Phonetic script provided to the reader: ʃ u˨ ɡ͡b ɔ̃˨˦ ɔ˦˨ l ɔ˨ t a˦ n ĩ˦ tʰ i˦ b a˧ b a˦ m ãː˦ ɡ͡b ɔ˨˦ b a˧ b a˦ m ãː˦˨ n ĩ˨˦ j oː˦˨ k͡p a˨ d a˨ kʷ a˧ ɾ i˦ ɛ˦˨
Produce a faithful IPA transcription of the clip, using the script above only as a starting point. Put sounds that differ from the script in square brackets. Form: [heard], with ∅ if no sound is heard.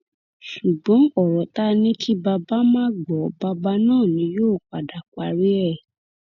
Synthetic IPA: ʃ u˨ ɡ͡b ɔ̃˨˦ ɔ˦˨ [ɾ] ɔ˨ t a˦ n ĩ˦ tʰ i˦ b a˧ b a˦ m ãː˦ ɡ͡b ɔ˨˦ b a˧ b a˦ [n] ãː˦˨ n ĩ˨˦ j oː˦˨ k͡p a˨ d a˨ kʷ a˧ ɾ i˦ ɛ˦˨